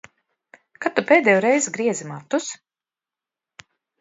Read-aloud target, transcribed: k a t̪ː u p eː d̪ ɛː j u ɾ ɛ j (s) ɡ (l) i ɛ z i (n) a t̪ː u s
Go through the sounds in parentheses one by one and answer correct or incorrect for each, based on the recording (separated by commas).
incorrect, incorrect, incorrect